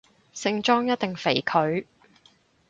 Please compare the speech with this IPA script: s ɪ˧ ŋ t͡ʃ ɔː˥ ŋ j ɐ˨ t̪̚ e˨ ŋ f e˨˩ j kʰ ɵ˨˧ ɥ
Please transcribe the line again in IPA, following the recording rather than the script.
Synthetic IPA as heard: s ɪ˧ ŋ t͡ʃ ɔː˥ ŋ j ɐ˥ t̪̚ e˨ ŋ f e˨˩ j kʰ ɵ˨˧ ɥ